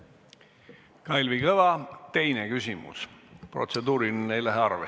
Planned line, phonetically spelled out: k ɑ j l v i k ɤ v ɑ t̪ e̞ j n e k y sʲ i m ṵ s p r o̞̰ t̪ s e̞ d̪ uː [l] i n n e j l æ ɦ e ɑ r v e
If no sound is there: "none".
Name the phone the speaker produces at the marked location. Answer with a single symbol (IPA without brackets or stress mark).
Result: ɾ